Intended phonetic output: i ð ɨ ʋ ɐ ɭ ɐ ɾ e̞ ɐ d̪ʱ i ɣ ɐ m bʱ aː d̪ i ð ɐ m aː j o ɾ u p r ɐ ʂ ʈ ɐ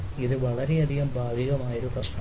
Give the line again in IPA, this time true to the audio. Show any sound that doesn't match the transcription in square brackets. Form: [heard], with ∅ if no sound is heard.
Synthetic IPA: i ð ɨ ʋ ɐ ɭ ɐ ɾ e̞ ɐ d̪ʱ i ɣ ɐ m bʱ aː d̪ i [ɣ] ɐ m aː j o ɾ u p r ɐ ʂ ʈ ɐ